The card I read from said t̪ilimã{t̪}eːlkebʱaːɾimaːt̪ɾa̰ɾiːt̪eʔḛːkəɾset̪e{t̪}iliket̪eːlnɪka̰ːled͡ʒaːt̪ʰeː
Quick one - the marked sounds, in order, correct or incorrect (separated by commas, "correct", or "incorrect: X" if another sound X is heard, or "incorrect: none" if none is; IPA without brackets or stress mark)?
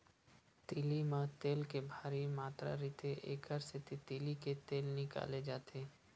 correct, correct